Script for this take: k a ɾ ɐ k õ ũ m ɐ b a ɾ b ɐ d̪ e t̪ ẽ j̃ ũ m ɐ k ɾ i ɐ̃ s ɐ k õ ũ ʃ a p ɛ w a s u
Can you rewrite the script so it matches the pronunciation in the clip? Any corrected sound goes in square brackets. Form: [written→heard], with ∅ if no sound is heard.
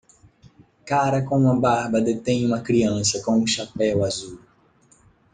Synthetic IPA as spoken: k a ɾ ɐ k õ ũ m ɐ b a ɾ b ɐ d̪ e t̪ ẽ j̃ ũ m ɐ k ɾ i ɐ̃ s ɐ k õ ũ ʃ a p ɛ w a [s→z] u